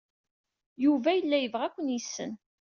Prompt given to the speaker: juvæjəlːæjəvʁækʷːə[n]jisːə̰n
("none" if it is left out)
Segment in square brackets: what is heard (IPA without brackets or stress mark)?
n